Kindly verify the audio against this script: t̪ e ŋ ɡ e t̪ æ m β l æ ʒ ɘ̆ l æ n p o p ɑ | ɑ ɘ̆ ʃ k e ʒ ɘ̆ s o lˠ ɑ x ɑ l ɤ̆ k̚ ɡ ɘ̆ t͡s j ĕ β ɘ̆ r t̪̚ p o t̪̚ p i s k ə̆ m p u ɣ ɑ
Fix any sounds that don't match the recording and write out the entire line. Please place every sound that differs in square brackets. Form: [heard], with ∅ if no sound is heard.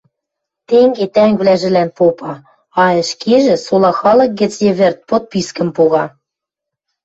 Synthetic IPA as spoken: t̪ e ŋ ɡ e t̪ æ [ŋ] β l æ ʒ ɘ̆ l æ n p o p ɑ | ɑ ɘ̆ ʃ k e ʒ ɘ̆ s o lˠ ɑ x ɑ l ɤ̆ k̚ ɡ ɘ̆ t͡s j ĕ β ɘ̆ r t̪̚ p o t̪̚ p i s k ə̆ m p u ɣ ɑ